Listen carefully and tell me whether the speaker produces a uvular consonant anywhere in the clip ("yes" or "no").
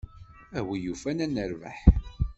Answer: no